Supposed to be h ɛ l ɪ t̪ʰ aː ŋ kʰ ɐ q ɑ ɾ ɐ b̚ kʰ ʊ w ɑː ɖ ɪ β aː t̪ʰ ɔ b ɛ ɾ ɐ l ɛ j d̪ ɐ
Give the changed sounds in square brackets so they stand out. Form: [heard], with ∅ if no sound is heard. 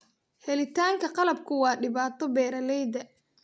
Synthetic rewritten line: h ɛ l ɪ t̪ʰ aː ŋ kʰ ɐ q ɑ [l] ɐ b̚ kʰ ʊ w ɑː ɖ ɪ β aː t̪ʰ ɔ b [ɛː] ɾ ɐ l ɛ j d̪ ɐ